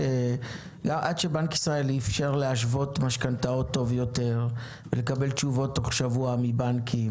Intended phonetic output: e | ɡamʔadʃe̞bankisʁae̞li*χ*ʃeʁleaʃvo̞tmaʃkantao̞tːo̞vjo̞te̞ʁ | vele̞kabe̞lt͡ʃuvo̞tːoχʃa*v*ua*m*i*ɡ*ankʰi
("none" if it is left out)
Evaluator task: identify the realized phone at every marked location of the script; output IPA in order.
f, v, m, b

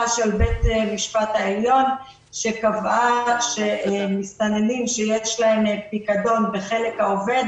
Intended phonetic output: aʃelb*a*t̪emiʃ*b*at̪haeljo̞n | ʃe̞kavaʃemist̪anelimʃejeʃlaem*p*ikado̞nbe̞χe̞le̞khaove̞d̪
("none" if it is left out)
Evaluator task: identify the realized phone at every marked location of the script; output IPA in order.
e, p, p

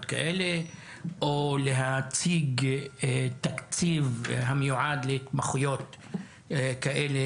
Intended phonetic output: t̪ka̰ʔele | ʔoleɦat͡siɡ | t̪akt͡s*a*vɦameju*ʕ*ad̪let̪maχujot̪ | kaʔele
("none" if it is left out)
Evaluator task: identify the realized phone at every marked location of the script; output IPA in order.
i, ʕ

